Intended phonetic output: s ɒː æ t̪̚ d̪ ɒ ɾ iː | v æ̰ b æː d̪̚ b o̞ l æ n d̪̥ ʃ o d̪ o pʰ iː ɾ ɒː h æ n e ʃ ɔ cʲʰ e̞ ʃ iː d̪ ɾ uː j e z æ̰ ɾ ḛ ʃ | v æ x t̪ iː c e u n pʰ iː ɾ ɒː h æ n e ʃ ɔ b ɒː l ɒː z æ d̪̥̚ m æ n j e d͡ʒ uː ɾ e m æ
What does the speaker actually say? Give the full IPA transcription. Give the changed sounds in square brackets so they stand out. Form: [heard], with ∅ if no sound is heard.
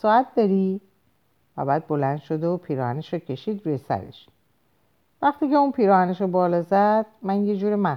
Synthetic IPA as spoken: s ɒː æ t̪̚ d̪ ɒ ɾ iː | v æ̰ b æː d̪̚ b o̞ l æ n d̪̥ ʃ o d̪ o pʰ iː ɾ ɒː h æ n e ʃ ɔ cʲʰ e̞ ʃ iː d̪ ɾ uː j e [s] æ̰ ɾ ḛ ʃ | v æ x t̪ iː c e u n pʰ iː ɾ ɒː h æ n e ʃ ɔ b ɒː l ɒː z æ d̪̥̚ m æ n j e d͡ʒ uː ɾ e m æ